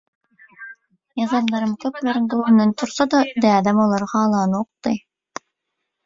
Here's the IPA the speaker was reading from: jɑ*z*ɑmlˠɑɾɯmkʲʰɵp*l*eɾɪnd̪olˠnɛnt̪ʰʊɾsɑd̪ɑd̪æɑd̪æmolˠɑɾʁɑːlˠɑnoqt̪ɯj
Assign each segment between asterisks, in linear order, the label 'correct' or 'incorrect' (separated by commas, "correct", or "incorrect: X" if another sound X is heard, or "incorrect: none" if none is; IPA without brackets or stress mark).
correct, correct